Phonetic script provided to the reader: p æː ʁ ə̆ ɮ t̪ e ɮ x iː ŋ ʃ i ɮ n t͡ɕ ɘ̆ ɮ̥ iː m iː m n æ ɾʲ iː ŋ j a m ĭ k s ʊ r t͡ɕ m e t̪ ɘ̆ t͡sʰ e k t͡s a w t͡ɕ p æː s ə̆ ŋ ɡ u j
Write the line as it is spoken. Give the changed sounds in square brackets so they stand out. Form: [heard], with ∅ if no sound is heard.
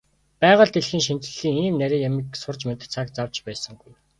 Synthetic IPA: p æː ʁ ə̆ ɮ t̪ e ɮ x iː ŋ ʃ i [∅] n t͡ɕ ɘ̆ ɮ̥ iː [ŋ] iː m n æ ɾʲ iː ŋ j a m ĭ k s ʊ r t͡ɕ m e t̪ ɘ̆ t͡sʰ [a] k t͡s a w t͡ɕ p æː s ə̆ ŋ ɡ u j